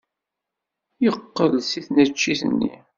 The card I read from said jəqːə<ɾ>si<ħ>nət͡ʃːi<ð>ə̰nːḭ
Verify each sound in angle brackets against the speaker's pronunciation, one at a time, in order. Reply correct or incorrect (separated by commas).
incorrect, incorrect, incorrect